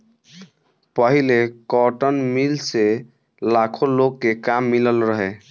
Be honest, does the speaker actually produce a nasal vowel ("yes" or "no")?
no